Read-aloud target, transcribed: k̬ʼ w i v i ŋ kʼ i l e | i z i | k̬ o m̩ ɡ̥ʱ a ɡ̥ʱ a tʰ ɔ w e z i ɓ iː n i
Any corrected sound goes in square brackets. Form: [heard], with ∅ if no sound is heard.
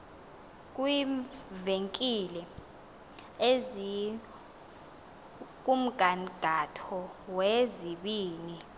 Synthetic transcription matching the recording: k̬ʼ w i v [e] ŋ kʼ i l [ɛ] | [e] z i | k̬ [u] m̩ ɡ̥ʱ a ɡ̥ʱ a tʰ ɔ w e z i ɓ iː n i